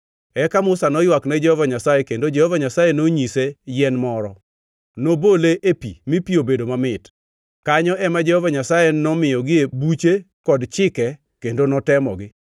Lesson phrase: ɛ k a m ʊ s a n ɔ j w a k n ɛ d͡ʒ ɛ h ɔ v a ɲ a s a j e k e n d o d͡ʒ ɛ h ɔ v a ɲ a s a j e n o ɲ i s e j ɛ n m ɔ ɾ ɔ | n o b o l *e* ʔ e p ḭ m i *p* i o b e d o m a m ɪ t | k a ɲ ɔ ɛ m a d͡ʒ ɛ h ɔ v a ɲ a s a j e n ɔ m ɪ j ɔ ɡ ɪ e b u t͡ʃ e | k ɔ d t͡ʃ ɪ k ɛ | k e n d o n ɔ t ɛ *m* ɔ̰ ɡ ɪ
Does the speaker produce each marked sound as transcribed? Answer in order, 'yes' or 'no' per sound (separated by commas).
yes, yes, yes